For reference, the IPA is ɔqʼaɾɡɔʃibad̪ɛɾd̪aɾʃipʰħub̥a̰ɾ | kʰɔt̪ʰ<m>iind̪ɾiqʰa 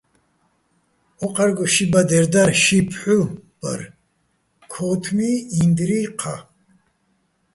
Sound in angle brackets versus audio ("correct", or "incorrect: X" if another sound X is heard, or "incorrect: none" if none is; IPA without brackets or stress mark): correct